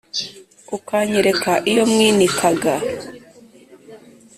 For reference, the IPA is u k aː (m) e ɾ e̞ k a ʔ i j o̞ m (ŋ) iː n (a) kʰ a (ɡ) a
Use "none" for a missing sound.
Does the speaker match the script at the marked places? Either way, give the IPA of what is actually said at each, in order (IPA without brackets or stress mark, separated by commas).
ɲ, ŋ, i, ɡ